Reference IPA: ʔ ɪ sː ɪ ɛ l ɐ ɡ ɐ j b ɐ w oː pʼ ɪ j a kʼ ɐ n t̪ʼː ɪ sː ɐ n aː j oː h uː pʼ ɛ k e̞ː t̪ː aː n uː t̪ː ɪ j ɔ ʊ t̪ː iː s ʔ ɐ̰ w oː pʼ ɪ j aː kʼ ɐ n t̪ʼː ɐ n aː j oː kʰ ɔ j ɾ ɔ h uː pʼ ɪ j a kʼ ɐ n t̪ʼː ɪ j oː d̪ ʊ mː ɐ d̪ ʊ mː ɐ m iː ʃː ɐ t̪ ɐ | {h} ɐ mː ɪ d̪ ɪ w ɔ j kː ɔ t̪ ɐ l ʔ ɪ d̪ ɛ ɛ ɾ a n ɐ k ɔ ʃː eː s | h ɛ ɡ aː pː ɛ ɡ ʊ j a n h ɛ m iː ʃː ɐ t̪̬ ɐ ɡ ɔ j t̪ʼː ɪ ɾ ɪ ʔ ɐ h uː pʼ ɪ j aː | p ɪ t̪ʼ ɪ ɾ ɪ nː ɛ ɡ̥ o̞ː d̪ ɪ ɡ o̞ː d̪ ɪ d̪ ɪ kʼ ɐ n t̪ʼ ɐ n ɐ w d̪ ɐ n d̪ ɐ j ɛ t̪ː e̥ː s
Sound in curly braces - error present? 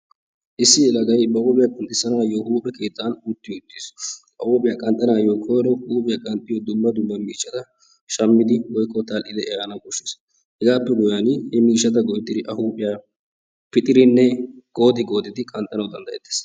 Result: yes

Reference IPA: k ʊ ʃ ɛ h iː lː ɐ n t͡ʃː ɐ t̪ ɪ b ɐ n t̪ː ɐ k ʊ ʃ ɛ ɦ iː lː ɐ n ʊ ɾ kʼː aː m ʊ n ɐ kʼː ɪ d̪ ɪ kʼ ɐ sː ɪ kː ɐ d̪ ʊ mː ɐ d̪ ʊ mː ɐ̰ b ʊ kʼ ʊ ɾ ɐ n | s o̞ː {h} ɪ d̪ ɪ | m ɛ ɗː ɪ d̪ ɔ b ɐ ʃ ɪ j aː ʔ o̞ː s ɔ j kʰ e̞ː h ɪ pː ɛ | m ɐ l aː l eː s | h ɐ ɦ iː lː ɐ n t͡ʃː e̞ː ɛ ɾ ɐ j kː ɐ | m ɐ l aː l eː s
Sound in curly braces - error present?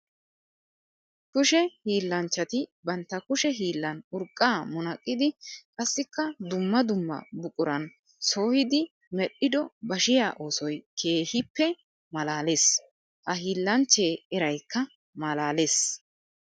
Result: no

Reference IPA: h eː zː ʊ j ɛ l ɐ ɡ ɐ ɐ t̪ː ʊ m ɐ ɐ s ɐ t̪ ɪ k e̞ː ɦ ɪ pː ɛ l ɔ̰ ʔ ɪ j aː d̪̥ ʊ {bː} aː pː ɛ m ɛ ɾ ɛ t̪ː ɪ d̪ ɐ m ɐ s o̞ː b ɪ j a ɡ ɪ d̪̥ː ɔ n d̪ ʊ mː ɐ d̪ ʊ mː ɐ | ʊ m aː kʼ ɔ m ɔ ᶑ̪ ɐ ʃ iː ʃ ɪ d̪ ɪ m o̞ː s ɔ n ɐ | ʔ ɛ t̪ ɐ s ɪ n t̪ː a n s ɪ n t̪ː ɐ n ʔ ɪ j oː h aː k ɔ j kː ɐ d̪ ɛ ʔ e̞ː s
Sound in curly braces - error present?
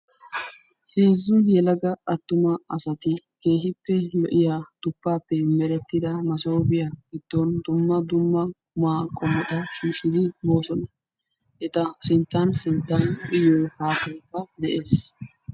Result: yes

